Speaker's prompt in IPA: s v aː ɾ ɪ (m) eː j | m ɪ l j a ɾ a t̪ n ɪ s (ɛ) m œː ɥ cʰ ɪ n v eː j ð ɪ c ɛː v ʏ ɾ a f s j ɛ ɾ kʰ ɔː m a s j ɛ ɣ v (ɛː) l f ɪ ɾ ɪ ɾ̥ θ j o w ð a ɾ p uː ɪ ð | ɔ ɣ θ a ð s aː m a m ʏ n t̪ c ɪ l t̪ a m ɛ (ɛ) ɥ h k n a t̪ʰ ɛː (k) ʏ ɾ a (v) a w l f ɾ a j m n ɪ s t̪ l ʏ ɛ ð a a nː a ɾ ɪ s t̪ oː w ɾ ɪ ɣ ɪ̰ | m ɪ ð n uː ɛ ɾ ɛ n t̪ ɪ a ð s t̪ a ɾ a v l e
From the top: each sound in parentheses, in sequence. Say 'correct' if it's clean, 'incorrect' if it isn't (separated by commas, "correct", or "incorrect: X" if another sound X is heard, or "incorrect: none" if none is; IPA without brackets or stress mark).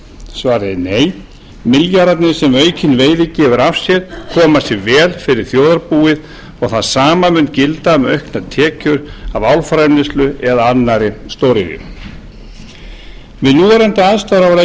incorrect: n, correct, correct, incorrect: œ, incorrect: c, correct